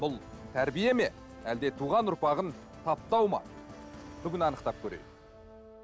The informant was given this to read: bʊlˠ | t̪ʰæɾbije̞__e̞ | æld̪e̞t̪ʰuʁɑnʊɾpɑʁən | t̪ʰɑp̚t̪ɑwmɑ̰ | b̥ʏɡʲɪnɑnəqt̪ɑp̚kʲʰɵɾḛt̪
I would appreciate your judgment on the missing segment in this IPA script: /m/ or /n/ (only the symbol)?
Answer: m